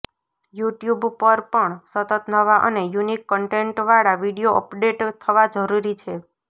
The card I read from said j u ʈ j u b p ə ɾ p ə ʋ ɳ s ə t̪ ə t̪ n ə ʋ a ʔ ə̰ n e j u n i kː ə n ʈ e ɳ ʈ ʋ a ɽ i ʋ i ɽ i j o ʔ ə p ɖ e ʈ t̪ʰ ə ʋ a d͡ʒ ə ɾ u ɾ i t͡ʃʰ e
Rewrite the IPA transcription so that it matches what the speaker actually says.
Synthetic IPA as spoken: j u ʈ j u b p ə ɾ p ə ɳ s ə t̪ ə t̪ n ə ʋ a ʔ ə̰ n e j u n i kː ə ɳ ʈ e ɳ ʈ ʋ a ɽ a ʋ i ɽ i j o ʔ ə p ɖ e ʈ t̪ʰ ə ʋ a d͡ʒ ə ɾ u ɾ i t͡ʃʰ e